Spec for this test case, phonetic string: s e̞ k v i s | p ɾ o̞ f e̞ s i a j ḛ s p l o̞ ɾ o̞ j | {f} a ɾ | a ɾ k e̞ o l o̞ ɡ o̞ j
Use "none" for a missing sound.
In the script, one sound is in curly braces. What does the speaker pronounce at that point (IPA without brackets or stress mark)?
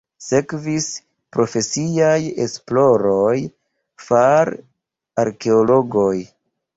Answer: f